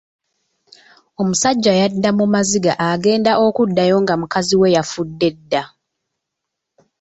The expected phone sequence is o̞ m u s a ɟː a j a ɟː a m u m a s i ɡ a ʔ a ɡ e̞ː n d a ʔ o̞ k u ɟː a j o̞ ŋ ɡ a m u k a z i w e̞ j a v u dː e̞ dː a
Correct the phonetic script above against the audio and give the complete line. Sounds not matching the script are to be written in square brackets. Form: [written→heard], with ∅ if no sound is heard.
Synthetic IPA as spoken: o̞ m u s a ɟː a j a [ɟː→dː] a m u m a [s→z] i ɡ a ʔ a ɡ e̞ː n d a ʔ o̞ k u [ɟː→dː] a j o̞ ŋ ɡ a m u k a z i w e̞ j a [v→f] u dː e̞ dː a